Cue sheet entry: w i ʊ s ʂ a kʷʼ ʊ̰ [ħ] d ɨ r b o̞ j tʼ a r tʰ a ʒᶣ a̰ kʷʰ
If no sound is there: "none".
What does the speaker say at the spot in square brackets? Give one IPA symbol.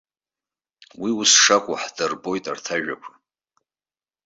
ħ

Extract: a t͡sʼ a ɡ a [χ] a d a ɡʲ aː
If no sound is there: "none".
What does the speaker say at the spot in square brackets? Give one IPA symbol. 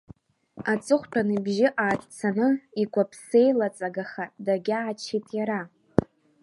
χ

